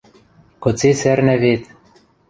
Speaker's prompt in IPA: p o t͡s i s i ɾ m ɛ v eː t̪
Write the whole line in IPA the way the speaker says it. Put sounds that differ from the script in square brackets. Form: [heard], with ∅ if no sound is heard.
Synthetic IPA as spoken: [k] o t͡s [e] s [ɛ] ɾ [n] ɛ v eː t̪